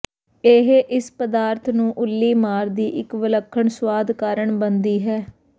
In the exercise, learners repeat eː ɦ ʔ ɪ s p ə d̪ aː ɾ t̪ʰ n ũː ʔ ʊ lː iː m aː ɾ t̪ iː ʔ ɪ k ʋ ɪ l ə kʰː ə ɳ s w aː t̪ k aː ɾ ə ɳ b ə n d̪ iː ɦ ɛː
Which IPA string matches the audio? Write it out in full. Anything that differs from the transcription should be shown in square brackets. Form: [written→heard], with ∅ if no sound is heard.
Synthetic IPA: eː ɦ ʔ ɪ s p ə d̪ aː ɾ t̪ʰ n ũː ʔ ʊ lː iː m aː ɾ [t̪→d̪] iː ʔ ɪ k ʋ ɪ l ə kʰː ə ɳ s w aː [t̪→d̪] k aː ɾ ə ɳ b ə n d̪ iː ɦ ɛː